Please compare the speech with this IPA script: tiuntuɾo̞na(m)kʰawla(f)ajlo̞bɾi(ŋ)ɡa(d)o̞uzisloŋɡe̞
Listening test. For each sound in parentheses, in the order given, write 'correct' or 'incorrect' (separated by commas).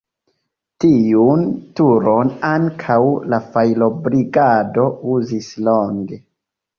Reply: incorrect, correct, incorrect, correct